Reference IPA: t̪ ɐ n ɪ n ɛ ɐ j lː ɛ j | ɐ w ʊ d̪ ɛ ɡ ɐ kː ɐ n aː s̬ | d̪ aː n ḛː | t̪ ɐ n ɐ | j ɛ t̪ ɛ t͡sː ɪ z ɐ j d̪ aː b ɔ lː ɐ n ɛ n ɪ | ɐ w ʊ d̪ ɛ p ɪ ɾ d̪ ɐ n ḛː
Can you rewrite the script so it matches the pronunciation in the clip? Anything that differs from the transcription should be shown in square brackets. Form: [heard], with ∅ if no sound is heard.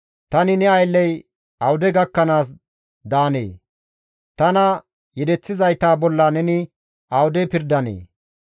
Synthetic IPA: t̪ ɐ n ɪ n ɛ ɐ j lː ɛ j | ɐ w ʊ d̪ ɛ ɡ ɐ kː ɐ n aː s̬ | d̪ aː n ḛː | t̪ ɐ n ɐ | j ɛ [d̪] ɛ t͡sː ɪ z ɐ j [t̪] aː b ɔ lː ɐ n ɛ n ɪ | ɐ w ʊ d̪ ɛ p ɪ ɾ d̪ ɐ n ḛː